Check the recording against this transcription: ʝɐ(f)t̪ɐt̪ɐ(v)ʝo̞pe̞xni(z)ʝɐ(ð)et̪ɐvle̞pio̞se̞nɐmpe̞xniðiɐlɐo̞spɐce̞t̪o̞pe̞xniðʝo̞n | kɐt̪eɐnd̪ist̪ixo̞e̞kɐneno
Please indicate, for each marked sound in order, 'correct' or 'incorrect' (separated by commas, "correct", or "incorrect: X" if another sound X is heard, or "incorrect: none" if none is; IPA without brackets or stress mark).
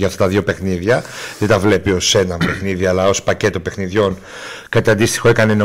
correct, incorrect: ð, incorrect: ð, correct